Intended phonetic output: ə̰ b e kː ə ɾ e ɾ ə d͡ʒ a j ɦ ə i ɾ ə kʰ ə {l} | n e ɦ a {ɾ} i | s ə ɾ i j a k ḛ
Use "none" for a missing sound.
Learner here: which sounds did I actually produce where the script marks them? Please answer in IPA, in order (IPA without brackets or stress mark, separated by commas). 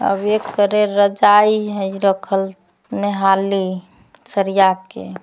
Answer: l, l